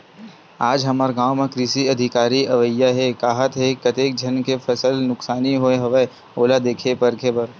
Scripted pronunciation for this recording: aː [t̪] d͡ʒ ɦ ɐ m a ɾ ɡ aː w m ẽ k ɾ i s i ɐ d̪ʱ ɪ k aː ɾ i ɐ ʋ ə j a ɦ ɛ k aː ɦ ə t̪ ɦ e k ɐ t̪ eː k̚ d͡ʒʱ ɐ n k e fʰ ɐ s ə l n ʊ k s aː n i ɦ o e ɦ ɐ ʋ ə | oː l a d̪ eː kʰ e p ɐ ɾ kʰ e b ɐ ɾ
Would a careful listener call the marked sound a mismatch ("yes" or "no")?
yes